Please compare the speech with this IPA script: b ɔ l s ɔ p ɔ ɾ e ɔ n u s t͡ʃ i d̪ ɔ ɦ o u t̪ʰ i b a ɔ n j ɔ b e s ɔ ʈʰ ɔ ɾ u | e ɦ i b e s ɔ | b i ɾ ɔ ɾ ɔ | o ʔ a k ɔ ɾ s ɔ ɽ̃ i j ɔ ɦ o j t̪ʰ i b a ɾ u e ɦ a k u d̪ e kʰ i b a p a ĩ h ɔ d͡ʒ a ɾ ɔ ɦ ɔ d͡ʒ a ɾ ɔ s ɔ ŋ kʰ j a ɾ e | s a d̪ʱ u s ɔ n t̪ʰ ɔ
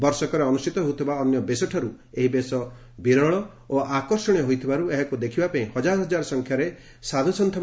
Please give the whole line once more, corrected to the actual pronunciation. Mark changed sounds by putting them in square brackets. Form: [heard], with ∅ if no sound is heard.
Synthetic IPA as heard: b ɔ [ɾ] s ɔ [k] ɔ ɾ e ɔ n u s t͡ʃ i [t̪] ɔ ɦ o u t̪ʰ i b a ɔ n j ɔ b e s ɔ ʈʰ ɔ ɾ u | e ɦ i b e s ɔ | b i ɾ ɔ [ɭ] ɔ | o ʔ a k ɔ ɾ s ɔ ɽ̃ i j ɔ ɦ o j t̪ʰ i b a ɾ u e ɦ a k u d̪ e kʰ i b a p a ĩ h ɔ d͡ʒ a ɾ ɔ ɦ ɔ d͡ʒ a ɾ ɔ s ɔ ŋ kʰ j a ɾ e | s a d̪ʱ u s ɔ n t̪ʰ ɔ

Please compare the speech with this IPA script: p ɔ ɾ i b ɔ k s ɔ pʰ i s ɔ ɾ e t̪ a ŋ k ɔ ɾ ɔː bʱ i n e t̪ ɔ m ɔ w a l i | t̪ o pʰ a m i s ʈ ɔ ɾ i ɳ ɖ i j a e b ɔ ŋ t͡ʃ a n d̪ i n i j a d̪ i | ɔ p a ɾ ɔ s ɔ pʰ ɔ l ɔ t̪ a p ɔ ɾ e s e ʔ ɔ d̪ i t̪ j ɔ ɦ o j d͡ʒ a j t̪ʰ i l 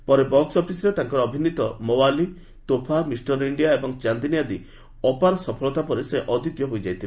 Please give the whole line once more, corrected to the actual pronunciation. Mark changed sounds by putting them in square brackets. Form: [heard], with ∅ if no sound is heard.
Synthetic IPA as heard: p ɔ ɾ [e] b ɔ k s ɔ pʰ i s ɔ ɾ e t̪ a ŋ k ɔ ɾ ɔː bʱ i n [i] t̪ ɔ m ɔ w a l i | t̪ o pʰ a m i s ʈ ɔ ɾ i ɳ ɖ i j a e b ɔ ŋ t͡ʃ a n d̪ i n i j a d̪ i | ɔ p a ɾ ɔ s ɔ pʰ ɔ l ɔ t̪ a p ɔ ɾ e s e ʔ ɔ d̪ i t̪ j ɔ ɦ o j d͡ʒ a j t̪ʰ i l

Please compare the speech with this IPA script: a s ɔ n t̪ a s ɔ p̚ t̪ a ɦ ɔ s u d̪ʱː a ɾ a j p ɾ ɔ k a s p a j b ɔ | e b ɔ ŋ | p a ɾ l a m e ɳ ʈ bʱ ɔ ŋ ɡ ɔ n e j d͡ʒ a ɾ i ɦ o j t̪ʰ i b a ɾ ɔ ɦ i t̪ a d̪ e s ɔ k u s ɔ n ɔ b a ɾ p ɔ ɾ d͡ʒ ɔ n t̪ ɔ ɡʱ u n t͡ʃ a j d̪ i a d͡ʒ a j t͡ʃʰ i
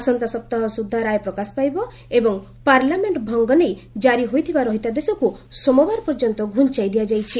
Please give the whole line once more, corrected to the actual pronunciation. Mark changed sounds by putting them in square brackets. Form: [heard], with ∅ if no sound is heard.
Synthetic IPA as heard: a s ɔ n t̪ a s ɔ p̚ t̪ a ɦ ɔ s u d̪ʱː a ɾ a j p ɾ ɔ k a s p a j b ɔ | e b ɔ ŋ | p a ɾ l a m e ɳ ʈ bʱ ɔ ŋ ɡ ɔ n e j d͡ʒ a ɾ i ɦ o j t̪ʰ i b a ɾ ɔ ɦ i t̪ a d̪ e s ɔ k u s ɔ [m] ɔ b a ɾ p ɔ ɾ d͡ʒ ɔ n t̪ ɔ ɡʱ u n t͡ʃ a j d̪ i a d͡ʒ a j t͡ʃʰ i

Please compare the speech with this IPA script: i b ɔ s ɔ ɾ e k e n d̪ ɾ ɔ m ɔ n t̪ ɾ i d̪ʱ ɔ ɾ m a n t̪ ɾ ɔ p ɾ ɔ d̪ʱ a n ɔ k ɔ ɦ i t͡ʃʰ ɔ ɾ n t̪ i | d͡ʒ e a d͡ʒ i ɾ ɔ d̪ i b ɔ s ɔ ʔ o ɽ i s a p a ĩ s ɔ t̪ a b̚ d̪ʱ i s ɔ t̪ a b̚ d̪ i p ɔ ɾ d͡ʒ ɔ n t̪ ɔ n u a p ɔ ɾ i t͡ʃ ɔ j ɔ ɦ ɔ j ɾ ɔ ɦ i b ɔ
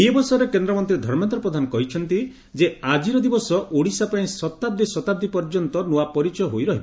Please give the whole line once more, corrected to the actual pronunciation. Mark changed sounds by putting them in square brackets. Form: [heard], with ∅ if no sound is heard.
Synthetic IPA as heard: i b ɔ s ɔ ɾ e k e n d̪ ɾ ɔ m ɔ n t̪ ɾ i d̪ʱ ɔ ɾ m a n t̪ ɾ ɔ p ɾ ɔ d̪ʱ a n ɔ k ɔ ɦ i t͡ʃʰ ɔ [∅] n t̪ i | d͡ʒ e a d͡ʒ i ɾ ɔ d̪ i b ɔ s ɔ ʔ o ɽ i s a p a ĩ s ɔ t̪ a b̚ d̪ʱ i s ɔ t̪ a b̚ d̪ i p ɔ ɾ d͡ʒ ɔ n t̪ ɔ n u a p ɔ ɾ i t͡ʃ ɔ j ɔ ɦ [o] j ɾ ɔ ɦ i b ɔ

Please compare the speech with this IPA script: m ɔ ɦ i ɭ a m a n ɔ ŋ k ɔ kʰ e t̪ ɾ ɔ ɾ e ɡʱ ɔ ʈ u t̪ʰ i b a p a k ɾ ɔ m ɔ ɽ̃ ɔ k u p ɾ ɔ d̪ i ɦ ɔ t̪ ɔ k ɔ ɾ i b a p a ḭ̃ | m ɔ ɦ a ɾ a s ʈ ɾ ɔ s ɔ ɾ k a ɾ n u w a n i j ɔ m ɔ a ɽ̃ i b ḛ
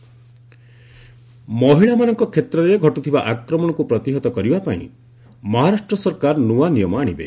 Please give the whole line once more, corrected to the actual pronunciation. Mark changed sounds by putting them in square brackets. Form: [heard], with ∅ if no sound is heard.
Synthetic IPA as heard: m ɔ ɦ i ɭ a m a n ɔ ŋ k ɔ kʰ e t̪ ɾ ɔ ɾ e ɡʱ ɔ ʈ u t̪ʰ i b a [ʔ] a k ɾ ɔ m ɔ ɽ̃ ɔ k u p ɾ ɔ [t̪] i ɦ ɔ t̪ ɔ k ɔ ɾ i b a p a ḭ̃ | m ɔ ɦ a ɾ a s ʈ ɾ ɔ s ɔ ɾ k a ɾ n u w a n i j ɔ m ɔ a ɽ̃ i b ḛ

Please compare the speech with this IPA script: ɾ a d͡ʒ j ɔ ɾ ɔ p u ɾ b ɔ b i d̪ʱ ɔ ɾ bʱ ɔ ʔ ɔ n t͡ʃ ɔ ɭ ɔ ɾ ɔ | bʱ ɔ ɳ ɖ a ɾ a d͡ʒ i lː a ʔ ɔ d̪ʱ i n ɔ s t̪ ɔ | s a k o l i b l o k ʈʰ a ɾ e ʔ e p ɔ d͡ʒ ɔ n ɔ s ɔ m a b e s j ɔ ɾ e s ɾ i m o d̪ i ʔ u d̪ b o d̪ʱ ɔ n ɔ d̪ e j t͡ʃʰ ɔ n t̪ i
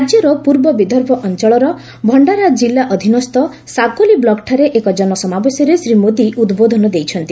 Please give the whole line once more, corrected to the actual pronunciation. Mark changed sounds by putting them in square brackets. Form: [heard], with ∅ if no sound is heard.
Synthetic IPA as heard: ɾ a d͡ʒ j ɔ ɾ ɔ p u ɾ b ɔ b i d̪ʱ ɔ ɾ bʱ ɔ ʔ ɔ n t͡ʃ ɔ ɭ ɔ ɾ ɔ | bʱ ɔ ɳ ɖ a ɾ a d͡ʒ i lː a ʔ ɔ d̪ʱ i n ɔ s t̪ ɔ | s a k o l i b l [ɔ] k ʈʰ a ɾ e ʔ e [k] ɔ d͡ʒ ɔ n ɔ s ɔ m a b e s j ɔ ɾ e s ɾ i m o d̪ i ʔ u d̪ b o d̪ʱ ɔ n ɔ d̪ e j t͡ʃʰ ɔ n t̪ i

